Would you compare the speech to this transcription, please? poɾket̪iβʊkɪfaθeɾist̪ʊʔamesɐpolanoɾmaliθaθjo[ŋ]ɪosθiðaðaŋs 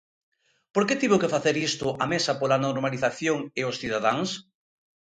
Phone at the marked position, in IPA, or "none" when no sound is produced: ŋ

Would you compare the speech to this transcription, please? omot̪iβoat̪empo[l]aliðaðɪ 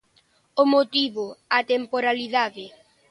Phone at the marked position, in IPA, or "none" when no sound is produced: ɾ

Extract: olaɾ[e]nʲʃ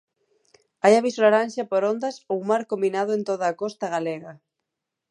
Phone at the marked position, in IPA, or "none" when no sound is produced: a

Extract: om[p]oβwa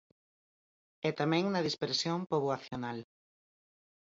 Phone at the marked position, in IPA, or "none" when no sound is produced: p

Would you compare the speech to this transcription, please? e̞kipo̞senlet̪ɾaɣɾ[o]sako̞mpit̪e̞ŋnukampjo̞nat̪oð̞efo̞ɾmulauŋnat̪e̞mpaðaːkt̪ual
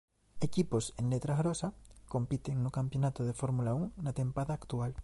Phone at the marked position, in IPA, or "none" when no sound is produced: o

